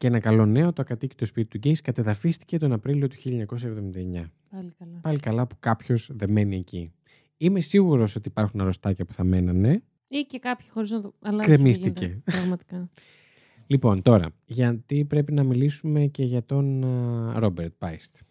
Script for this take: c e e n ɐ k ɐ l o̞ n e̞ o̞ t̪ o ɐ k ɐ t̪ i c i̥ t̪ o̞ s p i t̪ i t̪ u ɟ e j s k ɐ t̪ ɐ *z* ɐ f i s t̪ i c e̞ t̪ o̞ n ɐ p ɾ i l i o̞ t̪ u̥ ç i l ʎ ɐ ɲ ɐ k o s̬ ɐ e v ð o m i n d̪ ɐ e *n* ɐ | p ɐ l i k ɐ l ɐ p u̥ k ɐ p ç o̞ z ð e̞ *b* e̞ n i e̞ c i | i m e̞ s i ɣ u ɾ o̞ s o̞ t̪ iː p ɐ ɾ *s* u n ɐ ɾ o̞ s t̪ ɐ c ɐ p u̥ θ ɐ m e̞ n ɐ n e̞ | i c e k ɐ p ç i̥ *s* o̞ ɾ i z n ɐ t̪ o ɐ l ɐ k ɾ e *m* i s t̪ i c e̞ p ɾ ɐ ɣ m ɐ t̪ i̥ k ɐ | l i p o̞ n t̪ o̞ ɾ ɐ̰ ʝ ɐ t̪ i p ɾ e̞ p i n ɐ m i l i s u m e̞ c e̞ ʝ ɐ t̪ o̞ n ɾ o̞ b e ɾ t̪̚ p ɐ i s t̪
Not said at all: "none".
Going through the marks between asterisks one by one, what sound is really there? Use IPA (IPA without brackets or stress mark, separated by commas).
ð, ɲ, m, x, x, m